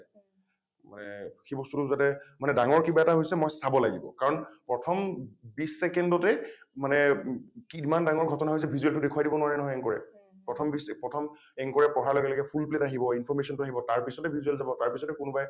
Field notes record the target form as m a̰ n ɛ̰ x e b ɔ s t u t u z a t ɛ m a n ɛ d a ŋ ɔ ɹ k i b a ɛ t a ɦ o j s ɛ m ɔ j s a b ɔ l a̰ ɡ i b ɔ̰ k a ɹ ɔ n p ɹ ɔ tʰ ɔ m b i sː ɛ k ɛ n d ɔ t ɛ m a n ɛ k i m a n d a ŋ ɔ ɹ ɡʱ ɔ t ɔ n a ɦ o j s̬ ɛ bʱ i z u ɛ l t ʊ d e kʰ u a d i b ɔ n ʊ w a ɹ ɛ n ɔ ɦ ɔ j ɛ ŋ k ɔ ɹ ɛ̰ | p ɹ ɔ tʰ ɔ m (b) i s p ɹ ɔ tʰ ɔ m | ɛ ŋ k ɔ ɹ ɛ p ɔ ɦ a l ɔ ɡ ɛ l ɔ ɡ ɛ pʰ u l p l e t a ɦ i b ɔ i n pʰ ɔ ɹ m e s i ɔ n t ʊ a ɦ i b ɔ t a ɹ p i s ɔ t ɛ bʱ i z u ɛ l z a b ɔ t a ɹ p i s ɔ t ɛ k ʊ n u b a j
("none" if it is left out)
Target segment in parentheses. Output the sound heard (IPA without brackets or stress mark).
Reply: b